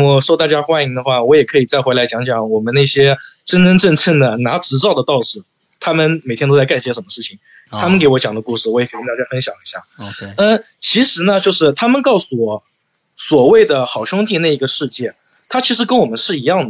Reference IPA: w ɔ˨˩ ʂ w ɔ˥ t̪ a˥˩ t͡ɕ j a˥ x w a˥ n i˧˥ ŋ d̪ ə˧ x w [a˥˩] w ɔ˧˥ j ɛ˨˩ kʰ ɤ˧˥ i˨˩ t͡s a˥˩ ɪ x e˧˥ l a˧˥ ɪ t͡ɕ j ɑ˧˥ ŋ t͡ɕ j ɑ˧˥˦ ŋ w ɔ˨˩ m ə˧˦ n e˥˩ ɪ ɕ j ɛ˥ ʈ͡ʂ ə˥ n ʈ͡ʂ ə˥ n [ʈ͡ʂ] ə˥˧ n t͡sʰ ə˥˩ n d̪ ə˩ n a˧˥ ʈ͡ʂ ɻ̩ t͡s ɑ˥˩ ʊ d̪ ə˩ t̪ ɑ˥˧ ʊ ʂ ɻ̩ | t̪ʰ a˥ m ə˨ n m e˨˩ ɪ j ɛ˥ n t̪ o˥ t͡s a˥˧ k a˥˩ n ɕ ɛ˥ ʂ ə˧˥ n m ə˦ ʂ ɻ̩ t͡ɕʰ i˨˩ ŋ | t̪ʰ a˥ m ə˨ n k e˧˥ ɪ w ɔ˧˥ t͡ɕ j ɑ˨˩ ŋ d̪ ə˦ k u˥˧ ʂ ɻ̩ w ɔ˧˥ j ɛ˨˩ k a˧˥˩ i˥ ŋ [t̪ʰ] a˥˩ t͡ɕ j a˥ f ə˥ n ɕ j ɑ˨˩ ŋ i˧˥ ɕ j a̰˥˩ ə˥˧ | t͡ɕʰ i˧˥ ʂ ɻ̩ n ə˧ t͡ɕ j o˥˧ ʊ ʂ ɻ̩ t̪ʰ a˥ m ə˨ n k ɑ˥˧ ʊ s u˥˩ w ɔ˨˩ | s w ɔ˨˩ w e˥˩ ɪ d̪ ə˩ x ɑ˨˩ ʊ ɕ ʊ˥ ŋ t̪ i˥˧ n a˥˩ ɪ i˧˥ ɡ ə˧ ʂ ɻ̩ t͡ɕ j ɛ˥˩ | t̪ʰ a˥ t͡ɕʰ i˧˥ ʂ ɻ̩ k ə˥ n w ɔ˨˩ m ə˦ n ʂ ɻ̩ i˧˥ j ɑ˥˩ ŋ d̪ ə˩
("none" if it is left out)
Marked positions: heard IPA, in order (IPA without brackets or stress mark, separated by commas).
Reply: a˥˩, ʈ͡ʂ, t̪